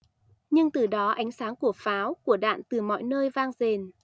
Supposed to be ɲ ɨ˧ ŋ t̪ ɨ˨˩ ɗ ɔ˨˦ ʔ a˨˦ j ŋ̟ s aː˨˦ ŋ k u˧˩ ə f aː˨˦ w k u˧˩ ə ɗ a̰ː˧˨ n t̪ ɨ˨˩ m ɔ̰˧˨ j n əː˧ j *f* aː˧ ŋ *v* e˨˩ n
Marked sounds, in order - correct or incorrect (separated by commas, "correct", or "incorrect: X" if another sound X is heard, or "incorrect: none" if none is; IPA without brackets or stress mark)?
incorrect: v, incorrect: z